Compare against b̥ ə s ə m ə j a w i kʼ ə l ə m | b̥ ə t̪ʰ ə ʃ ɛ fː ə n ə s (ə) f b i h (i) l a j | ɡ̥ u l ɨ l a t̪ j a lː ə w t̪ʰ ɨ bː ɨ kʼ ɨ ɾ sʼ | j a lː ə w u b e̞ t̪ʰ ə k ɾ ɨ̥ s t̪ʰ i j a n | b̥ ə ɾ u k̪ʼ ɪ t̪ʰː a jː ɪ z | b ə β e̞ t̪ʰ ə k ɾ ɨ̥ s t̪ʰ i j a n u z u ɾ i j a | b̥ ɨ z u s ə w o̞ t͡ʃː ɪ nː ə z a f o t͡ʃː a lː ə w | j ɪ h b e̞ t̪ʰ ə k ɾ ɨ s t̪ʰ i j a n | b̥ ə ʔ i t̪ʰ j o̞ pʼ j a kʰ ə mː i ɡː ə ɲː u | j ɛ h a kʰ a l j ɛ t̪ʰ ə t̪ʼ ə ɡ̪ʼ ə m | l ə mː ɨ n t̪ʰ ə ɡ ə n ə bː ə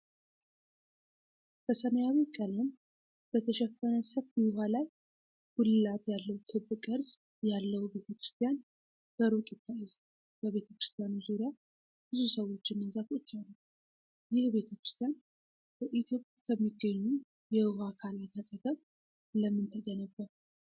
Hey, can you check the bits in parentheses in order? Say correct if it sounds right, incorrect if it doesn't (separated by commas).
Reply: correct, incorrect